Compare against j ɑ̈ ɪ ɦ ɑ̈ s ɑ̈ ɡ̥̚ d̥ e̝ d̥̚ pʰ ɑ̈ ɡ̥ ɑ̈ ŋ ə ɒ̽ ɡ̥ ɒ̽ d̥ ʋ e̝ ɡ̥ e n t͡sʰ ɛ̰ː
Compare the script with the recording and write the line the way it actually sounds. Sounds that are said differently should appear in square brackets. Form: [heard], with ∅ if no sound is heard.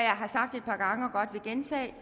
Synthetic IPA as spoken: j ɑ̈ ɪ ɦ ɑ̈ s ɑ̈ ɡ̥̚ d̥ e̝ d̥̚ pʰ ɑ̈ ɡ̥ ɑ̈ ŋ ə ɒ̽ ɡ̥ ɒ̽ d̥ ʋ e̝ ɡ̥ e n t͡sʰ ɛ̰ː